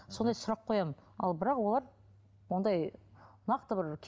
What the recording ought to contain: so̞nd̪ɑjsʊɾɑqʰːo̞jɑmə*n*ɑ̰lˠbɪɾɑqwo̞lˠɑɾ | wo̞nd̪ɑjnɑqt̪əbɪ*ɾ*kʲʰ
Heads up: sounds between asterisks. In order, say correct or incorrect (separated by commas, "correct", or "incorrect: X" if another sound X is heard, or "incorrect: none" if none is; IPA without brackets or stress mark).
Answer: correct, correct